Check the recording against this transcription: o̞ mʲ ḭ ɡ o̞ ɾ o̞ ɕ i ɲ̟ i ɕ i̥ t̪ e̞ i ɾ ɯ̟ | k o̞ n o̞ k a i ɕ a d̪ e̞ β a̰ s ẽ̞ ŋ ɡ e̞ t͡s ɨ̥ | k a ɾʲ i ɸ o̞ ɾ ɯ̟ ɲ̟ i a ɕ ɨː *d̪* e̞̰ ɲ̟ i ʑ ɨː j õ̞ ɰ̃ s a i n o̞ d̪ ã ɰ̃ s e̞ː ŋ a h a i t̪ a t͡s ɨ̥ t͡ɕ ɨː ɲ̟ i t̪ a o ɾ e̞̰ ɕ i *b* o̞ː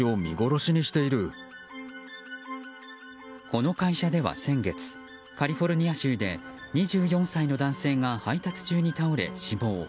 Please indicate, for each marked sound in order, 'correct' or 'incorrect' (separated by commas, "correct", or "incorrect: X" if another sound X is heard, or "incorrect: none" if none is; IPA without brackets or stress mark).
correct, correct